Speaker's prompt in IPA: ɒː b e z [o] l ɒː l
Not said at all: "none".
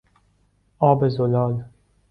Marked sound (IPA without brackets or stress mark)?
o